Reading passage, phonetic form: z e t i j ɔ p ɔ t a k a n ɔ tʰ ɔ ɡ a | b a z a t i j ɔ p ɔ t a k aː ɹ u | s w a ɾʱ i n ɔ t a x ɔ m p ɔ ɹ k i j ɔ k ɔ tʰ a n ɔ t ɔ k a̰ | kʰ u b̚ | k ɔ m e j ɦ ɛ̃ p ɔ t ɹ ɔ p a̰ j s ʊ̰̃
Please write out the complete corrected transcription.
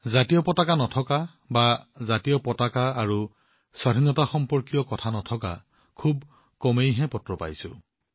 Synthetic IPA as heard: z a t i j ɔ p ɔ t a k a n ɔ tʰ ɔ k a | b a z a t i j ɔ p ɔ t a k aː ɹ u | s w a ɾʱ i n ɔ t a x ɔ m p ɔ ɹ k i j ɔ k ɔ tʰ a n ɔ tʰ ɔ k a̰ | kʰ u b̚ | k ɔ m e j ɦ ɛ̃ p ɔ t ɹ ɔ p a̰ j s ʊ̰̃